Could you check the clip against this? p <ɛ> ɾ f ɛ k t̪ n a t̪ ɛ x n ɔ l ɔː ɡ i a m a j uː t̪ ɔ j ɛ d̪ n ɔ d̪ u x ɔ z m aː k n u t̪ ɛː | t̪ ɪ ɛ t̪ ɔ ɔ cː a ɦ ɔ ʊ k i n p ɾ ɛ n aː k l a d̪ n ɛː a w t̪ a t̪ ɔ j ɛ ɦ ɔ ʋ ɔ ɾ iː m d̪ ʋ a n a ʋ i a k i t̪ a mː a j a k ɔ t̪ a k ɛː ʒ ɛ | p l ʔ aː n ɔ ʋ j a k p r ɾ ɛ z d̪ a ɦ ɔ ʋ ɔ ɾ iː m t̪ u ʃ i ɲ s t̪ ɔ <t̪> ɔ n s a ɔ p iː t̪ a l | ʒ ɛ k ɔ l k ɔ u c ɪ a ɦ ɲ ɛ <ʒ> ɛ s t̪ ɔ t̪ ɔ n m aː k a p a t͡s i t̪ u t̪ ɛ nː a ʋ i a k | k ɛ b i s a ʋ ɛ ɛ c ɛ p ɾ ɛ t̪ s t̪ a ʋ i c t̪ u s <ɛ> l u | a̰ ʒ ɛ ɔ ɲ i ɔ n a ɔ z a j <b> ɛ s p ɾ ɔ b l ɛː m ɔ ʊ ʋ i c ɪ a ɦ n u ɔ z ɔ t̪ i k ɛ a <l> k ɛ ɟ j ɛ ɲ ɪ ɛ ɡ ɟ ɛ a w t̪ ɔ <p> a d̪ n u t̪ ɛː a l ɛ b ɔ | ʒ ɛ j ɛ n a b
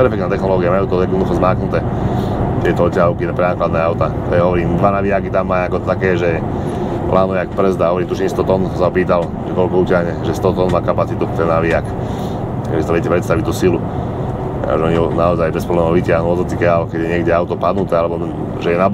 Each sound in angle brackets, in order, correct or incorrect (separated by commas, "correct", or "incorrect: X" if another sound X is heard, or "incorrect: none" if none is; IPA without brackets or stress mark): correct, correct, correct, incorrect: i, correct, correct, correct